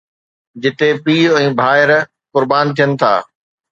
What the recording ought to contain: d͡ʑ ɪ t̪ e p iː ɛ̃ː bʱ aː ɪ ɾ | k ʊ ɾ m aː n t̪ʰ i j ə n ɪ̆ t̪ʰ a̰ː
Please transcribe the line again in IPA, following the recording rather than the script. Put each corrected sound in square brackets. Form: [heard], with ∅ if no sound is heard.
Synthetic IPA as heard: d͡ʑ ɪ t̪ e p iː ɛ̃ː bʱ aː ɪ ɾ | k ʊ ɾ [b] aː n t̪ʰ i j ə n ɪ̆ t̪ʰ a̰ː